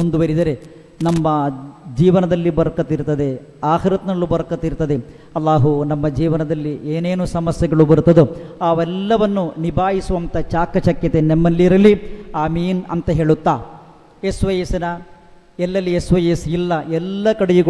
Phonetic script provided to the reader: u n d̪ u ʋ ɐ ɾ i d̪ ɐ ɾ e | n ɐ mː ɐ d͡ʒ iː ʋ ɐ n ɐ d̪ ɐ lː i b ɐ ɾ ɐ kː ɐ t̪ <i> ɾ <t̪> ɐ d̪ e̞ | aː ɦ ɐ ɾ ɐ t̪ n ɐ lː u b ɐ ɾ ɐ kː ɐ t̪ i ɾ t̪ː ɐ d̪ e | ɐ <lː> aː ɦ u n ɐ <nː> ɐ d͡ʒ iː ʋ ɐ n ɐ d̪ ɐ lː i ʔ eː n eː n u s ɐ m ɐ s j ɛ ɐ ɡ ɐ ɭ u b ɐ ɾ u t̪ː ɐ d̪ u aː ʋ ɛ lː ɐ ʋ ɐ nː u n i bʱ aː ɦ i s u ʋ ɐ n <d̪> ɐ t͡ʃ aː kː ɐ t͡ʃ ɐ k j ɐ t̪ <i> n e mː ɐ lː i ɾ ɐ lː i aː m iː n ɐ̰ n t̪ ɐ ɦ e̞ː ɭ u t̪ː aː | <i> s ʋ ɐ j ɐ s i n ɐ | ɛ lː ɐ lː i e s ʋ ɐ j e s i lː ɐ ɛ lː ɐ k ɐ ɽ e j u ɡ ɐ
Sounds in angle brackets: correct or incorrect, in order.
correct, correct, correct, incorrect, incorrect, incorrect, incorrect

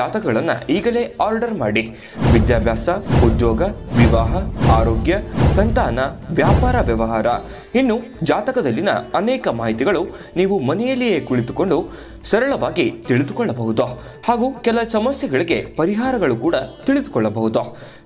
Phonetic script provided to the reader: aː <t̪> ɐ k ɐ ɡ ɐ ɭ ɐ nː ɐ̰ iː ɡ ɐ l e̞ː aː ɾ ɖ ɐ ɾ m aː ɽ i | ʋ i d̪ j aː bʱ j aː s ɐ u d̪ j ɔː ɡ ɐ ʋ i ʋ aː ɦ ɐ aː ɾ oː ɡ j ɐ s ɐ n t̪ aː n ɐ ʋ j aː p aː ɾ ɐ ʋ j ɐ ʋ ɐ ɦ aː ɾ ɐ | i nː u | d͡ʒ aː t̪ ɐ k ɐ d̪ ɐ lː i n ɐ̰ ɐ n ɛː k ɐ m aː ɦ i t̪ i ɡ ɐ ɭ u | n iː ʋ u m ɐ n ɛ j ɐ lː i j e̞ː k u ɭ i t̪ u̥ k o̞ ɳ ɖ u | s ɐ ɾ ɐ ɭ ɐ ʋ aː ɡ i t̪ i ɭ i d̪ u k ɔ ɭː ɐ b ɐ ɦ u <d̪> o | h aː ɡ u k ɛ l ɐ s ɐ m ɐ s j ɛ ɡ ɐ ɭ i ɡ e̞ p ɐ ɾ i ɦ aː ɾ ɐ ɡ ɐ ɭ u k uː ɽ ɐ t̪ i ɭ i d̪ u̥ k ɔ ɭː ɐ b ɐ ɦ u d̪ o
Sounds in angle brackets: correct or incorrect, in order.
correct, correct

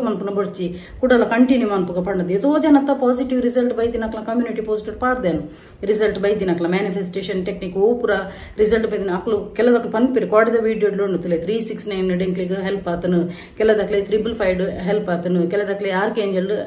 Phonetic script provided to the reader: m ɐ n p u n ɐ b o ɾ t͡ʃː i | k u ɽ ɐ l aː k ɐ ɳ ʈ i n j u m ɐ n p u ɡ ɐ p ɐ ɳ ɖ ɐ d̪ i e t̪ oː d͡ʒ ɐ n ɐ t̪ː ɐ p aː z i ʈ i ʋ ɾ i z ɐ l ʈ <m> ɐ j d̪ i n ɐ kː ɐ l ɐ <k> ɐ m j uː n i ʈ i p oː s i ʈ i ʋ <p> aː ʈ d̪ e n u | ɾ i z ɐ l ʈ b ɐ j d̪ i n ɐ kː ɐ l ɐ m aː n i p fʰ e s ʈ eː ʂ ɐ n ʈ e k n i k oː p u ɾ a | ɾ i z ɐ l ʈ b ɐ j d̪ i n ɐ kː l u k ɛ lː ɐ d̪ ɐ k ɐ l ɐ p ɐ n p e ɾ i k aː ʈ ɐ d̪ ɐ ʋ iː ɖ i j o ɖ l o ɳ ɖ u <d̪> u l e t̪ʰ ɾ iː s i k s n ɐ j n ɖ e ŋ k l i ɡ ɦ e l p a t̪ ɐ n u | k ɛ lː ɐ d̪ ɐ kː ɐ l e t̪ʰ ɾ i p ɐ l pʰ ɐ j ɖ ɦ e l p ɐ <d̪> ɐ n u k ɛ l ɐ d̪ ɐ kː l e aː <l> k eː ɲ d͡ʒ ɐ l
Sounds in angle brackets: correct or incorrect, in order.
incorrect, correct, correct, incorrect, incorrect, incorrect

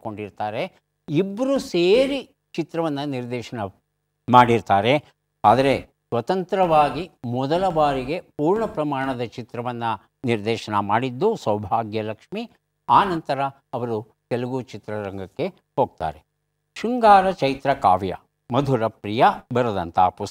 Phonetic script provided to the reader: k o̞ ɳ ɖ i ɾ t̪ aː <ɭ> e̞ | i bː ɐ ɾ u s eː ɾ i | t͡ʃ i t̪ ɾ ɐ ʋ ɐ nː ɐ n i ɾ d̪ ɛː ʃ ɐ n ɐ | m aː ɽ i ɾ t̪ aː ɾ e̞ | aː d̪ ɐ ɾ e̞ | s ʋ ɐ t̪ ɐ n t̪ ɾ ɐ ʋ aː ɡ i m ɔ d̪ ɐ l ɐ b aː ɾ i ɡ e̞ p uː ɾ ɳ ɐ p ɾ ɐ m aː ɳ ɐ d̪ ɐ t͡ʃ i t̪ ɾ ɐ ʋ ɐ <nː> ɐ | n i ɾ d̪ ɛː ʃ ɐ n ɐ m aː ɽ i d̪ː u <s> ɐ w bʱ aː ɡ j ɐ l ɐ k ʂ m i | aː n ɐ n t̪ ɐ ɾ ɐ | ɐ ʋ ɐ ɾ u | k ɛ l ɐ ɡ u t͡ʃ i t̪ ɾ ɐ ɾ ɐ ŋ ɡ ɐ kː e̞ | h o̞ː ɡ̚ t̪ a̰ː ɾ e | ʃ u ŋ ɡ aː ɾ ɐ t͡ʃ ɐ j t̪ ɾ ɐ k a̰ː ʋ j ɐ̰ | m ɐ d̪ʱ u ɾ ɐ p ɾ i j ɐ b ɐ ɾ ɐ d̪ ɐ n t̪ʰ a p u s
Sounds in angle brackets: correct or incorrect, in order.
incorrect, correct, correct

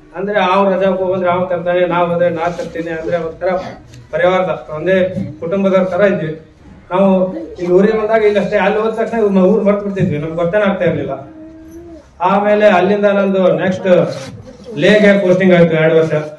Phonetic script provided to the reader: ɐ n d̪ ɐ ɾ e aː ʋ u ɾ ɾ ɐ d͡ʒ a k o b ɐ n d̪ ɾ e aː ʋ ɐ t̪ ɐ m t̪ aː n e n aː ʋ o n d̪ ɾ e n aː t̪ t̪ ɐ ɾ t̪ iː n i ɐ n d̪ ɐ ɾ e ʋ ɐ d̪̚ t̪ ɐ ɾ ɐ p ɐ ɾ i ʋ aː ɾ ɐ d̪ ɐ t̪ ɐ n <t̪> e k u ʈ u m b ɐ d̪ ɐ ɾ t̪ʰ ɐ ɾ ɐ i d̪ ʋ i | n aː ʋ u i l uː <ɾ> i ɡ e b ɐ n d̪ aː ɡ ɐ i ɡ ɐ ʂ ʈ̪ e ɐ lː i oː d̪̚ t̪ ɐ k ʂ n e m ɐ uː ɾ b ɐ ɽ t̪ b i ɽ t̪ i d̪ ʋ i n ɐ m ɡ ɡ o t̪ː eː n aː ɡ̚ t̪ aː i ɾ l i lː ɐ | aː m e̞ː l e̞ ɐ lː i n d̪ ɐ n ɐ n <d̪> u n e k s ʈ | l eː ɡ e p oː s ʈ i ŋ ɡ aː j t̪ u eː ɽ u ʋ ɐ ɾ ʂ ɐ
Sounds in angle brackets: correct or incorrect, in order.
incorrect, correct, correct

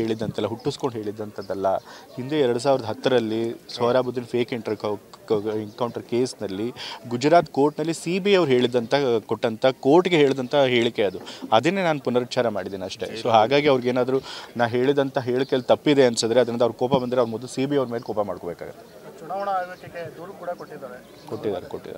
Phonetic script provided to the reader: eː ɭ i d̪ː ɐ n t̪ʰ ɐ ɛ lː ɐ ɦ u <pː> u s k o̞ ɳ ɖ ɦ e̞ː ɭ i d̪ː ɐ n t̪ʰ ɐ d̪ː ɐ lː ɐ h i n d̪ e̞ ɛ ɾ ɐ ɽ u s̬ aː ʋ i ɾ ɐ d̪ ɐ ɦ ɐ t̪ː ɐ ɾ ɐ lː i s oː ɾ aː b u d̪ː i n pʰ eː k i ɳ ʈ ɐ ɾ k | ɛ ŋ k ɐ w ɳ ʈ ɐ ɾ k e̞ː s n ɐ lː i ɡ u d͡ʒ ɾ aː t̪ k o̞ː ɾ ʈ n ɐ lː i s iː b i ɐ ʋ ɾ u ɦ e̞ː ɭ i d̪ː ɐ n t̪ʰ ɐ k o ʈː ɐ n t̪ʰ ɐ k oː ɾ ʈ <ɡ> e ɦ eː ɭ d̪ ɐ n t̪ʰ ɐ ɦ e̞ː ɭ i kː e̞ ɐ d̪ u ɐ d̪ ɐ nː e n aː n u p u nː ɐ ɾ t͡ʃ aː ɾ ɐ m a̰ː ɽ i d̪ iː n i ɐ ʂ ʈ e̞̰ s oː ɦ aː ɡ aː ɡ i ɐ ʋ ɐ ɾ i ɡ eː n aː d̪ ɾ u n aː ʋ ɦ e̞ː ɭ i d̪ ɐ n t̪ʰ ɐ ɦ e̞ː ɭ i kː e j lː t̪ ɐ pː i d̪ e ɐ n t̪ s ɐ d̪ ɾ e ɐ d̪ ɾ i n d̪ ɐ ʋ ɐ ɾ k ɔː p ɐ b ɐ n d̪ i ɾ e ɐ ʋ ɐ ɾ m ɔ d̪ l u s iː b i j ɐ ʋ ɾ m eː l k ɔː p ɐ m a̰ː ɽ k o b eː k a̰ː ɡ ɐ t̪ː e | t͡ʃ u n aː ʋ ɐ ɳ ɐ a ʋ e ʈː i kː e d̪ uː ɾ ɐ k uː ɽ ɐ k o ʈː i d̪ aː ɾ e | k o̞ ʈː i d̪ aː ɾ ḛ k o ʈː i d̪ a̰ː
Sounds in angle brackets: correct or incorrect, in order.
incorrect, correct

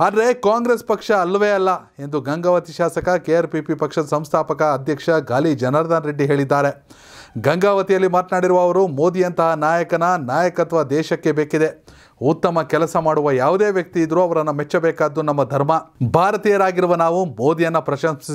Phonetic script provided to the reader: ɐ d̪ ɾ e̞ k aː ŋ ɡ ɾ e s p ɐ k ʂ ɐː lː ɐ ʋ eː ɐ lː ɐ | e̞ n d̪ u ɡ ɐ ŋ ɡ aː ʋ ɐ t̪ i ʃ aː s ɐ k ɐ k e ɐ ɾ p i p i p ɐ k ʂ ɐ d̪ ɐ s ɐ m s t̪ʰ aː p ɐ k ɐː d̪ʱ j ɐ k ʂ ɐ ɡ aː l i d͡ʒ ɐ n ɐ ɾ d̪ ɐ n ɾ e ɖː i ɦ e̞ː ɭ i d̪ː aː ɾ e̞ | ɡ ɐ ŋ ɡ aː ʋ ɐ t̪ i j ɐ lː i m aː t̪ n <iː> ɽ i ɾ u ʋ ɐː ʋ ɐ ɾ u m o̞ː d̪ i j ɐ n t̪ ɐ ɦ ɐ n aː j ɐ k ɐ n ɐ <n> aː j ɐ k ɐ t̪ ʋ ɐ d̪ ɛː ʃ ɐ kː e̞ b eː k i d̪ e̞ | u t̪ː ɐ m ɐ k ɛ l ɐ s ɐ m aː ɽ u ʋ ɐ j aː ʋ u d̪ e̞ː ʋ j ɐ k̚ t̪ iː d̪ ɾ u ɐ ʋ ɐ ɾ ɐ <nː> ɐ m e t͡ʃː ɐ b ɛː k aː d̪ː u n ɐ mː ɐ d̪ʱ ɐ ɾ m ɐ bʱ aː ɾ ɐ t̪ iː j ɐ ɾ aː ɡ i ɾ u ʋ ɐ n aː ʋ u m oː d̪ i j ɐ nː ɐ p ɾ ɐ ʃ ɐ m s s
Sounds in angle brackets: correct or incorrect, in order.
incorrect, correct, correct

